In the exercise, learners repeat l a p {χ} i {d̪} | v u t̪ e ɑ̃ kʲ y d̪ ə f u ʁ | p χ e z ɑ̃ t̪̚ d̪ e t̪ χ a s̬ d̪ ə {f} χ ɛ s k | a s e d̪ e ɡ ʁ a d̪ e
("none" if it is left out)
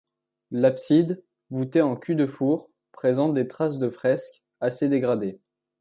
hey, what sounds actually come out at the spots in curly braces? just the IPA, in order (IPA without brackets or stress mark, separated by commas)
s, d̪, f